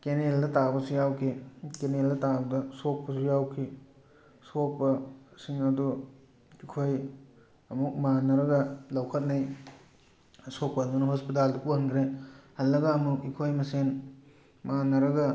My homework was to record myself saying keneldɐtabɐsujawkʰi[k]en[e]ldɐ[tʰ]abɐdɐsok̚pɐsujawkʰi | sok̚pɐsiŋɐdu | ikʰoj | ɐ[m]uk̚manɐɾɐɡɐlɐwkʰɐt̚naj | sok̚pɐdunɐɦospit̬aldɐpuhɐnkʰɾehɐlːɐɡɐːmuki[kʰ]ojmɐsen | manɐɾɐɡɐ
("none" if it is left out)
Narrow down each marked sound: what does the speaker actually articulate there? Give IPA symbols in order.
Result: k, e, t, m, kʰ

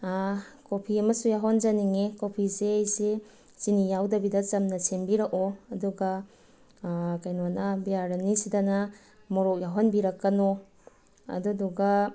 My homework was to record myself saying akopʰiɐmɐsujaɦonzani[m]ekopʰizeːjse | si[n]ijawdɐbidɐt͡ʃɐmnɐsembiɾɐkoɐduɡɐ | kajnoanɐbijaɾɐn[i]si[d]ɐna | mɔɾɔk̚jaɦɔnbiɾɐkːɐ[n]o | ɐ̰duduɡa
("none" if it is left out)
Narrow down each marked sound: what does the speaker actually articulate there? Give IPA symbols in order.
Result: ŋ, n, i, d, n

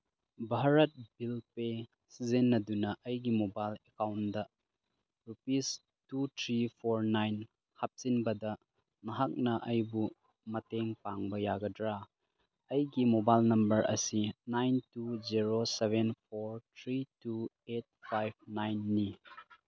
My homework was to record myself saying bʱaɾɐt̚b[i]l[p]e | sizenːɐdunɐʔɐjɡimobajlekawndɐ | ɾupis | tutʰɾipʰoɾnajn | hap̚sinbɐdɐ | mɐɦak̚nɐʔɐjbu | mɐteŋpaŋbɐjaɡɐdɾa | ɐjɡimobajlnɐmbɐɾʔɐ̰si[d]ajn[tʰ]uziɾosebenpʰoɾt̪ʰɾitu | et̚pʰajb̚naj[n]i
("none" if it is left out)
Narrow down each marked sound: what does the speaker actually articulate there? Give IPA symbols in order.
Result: i, p, n, t, nː

